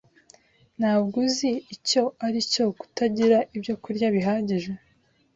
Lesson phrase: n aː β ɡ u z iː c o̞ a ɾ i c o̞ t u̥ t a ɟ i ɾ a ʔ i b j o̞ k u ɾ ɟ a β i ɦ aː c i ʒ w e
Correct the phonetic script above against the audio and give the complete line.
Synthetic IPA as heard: n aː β ɡ u z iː c o̞ a ɾ i c o̞ k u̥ t a ɟ i ɾ a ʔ i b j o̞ k u ɾ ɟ a β i ɦ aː ɟ i ʒ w e